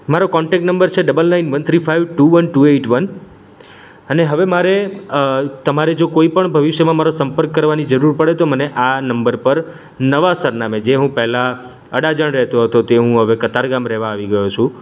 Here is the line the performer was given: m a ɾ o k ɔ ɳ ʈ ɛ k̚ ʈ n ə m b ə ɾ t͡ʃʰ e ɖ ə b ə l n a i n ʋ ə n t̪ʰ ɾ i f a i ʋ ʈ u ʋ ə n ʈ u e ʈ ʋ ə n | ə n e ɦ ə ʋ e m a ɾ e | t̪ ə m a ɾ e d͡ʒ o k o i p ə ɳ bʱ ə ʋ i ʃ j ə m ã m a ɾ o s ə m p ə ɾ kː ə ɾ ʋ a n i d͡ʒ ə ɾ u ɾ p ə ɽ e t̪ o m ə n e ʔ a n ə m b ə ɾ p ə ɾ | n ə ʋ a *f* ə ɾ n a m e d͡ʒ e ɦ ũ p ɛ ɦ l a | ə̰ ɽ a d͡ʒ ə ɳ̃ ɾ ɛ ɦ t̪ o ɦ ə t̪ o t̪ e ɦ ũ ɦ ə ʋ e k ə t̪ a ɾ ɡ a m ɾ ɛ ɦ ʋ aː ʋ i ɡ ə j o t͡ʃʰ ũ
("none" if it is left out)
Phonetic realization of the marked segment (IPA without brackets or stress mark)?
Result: s